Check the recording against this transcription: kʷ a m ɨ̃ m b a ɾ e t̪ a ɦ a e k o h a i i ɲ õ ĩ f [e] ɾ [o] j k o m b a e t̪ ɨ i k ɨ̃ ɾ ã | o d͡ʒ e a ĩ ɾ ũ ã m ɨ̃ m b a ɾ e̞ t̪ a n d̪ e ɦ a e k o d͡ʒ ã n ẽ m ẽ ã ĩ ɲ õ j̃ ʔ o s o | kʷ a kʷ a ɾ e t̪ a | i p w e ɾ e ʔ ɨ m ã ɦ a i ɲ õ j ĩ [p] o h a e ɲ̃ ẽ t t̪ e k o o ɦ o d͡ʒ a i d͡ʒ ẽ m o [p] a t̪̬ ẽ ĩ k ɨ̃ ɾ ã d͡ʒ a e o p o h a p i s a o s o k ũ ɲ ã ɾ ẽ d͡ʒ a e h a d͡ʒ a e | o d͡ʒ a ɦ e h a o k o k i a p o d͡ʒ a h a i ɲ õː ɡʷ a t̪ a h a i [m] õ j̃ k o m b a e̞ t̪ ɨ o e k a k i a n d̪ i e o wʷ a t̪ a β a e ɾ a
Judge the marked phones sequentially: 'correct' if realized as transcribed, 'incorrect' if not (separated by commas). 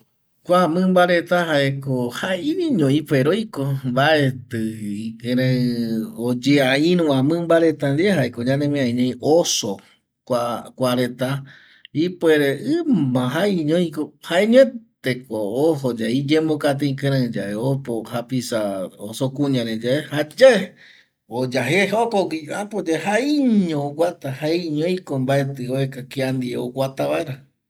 correct, correct, incorrect, incorrect, incorrect